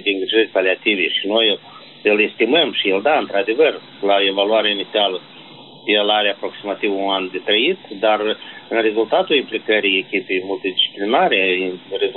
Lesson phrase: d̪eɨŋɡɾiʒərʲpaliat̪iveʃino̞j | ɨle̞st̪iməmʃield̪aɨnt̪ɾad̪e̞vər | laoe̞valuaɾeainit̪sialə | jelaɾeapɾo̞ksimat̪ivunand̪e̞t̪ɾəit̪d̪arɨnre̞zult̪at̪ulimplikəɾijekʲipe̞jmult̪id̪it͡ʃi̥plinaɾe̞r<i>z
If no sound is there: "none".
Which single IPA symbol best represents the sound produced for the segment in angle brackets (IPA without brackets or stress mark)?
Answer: e